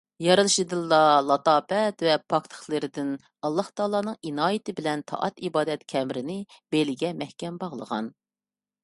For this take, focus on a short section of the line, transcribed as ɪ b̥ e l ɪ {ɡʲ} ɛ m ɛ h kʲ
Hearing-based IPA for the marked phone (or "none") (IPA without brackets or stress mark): ɡʲ